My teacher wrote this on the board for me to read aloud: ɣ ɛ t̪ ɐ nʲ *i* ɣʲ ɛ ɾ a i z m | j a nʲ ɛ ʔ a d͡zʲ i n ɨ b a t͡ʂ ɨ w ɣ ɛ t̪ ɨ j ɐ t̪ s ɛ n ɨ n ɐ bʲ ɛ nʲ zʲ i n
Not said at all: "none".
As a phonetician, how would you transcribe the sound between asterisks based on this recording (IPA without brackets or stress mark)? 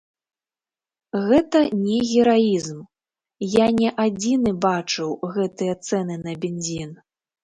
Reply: ɛ